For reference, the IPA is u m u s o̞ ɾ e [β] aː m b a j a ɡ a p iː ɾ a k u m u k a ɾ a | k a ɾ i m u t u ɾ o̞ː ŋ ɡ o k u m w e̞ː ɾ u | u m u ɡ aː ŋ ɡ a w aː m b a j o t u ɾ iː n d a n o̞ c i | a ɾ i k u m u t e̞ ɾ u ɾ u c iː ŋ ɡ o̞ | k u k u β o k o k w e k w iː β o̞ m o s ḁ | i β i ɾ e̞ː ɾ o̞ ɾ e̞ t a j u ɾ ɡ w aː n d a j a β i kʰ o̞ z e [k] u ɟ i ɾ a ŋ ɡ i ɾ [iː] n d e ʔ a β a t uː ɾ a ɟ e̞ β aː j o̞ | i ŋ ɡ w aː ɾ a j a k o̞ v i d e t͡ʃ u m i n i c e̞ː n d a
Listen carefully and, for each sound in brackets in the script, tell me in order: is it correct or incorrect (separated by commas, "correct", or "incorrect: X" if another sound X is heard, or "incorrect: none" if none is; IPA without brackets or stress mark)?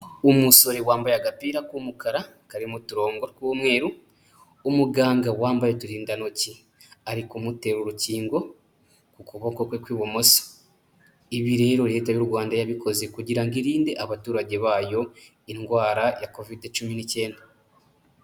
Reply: incorrect: w, correct, correct